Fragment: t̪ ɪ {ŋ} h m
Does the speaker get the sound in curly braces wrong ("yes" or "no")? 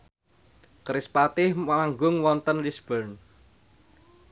yes